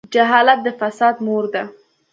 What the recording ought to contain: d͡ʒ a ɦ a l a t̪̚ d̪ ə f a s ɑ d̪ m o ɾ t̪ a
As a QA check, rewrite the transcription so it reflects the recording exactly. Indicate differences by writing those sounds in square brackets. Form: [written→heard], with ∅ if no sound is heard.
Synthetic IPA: d͡ʒ a ɦ [a→ɑ] l a t̪̚ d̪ ə f a s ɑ d̪ m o ɾ [t̪→d̪] a